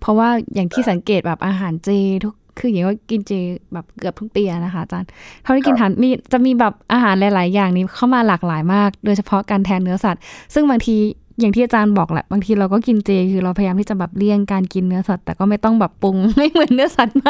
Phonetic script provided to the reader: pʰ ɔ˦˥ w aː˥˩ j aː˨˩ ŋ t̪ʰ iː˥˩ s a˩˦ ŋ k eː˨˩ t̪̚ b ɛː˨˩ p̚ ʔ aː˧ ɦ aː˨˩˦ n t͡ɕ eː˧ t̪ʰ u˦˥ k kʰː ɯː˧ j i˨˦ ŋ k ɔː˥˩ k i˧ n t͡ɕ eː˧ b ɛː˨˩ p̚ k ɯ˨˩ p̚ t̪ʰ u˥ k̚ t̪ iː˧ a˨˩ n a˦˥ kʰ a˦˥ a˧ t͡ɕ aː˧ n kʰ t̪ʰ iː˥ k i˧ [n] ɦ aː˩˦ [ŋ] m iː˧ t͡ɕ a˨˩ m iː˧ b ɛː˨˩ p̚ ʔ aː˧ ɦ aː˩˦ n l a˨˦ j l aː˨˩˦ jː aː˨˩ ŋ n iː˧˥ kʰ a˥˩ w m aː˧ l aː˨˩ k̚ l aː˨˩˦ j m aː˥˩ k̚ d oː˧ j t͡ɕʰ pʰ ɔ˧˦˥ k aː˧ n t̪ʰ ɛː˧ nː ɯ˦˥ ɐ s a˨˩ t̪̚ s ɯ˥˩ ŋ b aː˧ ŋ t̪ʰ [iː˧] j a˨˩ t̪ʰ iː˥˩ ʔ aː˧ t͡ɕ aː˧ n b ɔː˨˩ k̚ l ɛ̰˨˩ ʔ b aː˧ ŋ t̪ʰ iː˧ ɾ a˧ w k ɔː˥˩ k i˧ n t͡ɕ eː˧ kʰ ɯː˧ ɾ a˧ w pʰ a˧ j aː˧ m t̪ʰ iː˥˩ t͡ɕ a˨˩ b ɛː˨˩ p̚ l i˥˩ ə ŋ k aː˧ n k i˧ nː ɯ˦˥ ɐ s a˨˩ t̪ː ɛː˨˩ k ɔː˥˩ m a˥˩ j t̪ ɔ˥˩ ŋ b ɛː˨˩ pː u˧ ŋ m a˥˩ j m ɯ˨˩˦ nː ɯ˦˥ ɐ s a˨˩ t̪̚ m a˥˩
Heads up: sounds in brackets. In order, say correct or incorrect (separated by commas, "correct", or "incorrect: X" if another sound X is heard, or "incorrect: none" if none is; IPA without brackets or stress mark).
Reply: correct, incorrect: n, correct